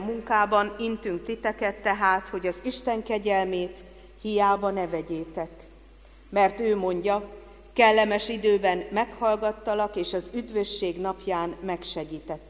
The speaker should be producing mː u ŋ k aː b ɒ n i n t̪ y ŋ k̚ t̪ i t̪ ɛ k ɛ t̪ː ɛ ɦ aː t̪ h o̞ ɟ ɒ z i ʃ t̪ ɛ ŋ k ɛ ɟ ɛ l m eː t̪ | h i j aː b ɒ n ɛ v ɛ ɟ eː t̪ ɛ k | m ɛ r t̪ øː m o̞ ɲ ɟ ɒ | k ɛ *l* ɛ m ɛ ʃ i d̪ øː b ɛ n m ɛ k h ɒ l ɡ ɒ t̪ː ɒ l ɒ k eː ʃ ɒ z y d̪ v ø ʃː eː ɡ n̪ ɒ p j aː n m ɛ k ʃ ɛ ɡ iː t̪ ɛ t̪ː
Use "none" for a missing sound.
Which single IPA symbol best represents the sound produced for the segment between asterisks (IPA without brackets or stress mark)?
lː